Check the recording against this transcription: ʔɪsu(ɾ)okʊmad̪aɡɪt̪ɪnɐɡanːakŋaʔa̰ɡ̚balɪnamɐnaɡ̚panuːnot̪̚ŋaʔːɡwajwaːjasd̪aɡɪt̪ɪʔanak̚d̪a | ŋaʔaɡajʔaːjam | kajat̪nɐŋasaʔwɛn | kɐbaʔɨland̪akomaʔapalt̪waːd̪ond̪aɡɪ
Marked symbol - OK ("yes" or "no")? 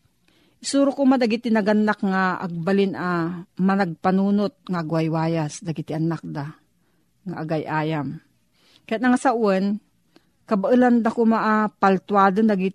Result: yes